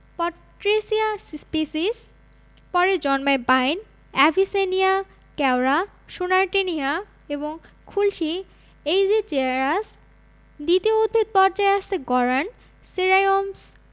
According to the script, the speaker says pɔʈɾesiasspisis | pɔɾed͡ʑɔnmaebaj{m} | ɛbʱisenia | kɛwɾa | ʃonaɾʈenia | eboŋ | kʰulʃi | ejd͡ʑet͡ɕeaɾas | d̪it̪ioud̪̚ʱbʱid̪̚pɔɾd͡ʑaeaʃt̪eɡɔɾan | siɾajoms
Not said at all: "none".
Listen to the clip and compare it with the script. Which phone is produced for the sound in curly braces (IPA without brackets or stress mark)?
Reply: n